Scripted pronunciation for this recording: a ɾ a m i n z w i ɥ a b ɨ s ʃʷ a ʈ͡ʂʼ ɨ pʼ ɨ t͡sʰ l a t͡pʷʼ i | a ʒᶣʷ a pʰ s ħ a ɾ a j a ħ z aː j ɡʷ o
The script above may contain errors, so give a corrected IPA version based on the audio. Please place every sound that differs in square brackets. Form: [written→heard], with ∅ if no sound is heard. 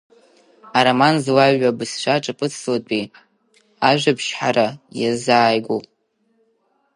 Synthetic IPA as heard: a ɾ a m [i→a] n z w [i→a] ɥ a b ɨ s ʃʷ a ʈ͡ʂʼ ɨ pʼ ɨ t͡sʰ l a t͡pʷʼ i | a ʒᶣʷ a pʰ [s→ʃ] ħ a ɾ a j a [ħ→∅] z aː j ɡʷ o